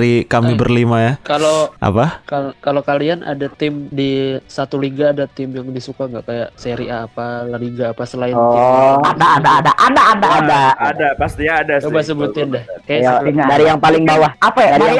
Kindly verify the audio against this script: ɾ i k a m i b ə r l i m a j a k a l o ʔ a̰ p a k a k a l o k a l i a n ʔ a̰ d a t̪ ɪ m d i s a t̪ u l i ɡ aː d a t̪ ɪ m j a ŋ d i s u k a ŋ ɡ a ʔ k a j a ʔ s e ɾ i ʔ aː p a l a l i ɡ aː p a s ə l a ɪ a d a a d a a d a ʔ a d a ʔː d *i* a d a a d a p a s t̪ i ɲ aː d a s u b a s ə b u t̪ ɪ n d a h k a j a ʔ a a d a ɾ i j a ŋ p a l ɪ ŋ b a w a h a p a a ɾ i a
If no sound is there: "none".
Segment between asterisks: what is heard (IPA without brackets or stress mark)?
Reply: a